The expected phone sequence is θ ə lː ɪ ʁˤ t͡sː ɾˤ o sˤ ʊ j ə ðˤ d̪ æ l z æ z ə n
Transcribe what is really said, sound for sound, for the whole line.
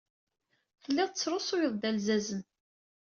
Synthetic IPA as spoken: θ ə lː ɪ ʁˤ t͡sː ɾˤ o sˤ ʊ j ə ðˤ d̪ æ l z æ z ə n

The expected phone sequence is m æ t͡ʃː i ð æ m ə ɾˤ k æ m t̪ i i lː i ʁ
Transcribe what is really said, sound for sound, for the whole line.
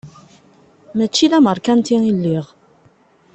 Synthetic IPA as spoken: m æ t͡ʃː i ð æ m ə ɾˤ k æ n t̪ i i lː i ʁ

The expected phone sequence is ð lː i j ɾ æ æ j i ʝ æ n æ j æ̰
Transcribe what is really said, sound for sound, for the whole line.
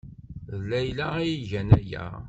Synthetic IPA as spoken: ð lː æ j l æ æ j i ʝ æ n æ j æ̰

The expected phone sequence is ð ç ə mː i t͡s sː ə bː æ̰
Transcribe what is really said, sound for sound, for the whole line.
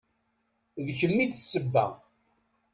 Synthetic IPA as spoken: ð ç ə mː i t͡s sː ə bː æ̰

